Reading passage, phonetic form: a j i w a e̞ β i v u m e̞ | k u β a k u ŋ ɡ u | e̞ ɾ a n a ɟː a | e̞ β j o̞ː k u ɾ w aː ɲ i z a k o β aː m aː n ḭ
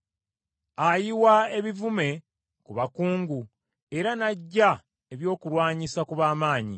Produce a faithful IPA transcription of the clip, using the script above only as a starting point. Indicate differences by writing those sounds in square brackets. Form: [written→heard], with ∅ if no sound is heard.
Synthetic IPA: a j i w a e̞ β i v u m e̞ | k u β a k [u→uː] ŋ ɡ u | e̞ ɾ a n a ɟː a | e̞ β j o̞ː k u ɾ w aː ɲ i [z→s] a k [o→u] β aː m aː [n→ɲ] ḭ